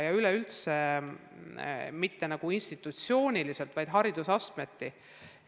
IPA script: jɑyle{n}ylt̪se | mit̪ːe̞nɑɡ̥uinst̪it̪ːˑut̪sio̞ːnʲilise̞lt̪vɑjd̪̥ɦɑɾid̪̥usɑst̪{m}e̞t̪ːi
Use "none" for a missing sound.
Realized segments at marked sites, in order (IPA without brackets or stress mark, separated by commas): none, m